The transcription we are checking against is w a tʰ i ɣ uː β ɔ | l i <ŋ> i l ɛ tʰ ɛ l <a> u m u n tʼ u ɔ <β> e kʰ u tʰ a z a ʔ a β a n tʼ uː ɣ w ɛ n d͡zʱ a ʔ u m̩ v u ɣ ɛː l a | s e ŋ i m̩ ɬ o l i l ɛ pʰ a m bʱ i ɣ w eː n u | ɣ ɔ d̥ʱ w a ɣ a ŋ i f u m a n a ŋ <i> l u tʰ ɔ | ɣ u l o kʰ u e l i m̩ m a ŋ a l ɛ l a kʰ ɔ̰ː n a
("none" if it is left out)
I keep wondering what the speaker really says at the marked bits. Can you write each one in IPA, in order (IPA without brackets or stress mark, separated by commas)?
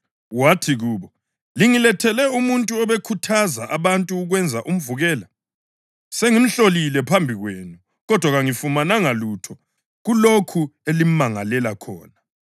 ŋ, ɛ, β, a